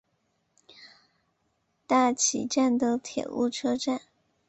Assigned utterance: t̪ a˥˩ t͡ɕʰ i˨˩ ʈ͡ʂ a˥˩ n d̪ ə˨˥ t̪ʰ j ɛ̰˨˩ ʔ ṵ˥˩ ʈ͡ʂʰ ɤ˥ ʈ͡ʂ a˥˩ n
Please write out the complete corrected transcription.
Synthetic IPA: t̪ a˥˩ t͡ɕʰ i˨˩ ʈ͡ʂ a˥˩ n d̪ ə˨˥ t̪ʰ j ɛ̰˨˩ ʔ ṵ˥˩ ʈ͡ʂʰ ɤ˥ ʈ͡ʂ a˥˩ n